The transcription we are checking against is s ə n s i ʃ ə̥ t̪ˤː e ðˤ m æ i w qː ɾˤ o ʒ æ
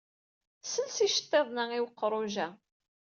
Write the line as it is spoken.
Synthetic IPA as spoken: s ə n s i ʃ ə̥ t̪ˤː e ðˤ n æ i w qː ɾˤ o ʒ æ

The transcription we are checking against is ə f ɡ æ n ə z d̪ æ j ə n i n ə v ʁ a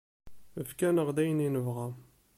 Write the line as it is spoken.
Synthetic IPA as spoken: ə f k æ n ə ʁ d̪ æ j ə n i n ə v ʁ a

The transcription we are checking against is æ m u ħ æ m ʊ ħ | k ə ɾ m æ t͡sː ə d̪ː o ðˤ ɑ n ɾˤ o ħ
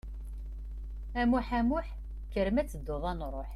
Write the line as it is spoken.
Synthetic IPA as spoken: æ m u ħ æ m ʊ ħ | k ə ɾ m æ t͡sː ə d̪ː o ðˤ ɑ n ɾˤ o ħ

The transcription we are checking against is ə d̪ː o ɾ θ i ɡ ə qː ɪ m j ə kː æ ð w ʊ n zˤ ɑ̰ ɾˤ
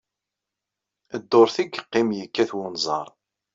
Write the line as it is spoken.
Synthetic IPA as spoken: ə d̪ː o ɾ θ i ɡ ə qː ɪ m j ə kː æ θ w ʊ n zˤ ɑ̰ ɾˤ

